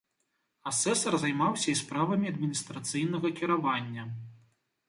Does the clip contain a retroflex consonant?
no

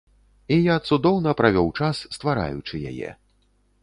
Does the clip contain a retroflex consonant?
yes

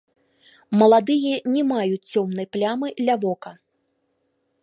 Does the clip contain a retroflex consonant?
no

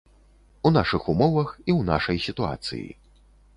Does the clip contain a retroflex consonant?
yes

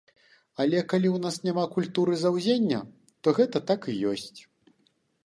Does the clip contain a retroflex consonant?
no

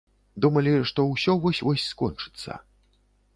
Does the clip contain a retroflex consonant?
yes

